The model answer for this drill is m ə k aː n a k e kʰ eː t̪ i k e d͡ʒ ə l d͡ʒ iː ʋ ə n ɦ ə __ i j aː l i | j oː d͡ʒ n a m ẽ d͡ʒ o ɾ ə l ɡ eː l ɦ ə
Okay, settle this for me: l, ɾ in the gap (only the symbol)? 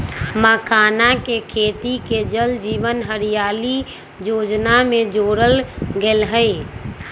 ɾ